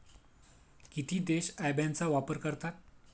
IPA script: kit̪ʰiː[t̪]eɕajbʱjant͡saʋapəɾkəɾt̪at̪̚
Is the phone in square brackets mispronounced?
yes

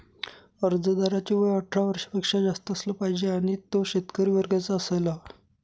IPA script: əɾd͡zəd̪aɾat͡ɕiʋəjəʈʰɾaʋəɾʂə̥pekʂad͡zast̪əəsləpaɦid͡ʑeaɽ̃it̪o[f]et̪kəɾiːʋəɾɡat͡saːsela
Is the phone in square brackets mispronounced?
yes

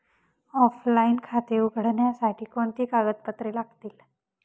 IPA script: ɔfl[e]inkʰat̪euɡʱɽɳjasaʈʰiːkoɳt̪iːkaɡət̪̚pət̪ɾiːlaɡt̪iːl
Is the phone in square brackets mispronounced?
yes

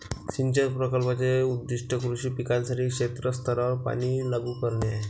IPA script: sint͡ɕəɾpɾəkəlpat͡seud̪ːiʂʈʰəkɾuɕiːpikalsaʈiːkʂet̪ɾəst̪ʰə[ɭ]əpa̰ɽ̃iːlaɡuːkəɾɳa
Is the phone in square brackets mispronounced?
yes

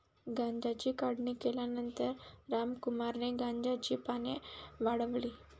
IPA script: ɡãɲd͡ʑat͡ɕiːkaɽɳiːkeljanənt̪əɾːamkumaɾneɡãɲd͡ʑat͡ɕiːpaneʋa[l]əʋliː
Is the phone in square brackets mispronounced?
yes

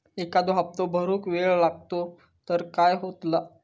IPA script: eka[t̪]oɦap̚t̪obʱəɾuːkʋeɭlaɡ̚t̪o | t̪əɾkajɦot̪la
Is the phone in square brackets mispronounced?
yes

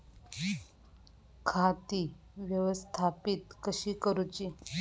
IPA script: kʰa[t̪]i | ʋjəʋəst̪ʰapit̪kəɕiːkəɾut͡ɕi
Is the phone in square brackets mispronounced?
no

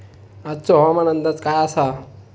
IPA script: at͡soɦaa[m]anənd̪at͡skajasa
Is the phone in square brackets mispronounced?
no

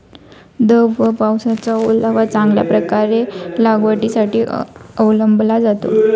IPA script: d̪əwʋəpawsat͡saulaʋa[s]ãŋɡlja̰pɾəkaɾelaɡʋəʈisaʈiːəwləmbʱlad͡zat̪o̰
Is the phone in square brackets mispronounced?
yes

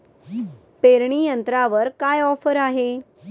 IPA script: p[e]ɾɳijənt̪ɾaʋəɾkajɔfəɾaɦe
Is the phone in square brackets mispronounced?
no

